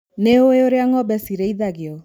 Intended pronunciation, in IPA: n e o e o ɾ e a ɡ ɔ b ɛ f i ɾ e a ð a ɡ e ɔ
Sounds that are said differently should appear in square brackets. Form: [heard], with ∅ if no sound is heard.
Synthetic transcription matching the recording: n e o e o ɾ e a [ŋ] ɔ b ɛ [s] i ɾ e [i] ð a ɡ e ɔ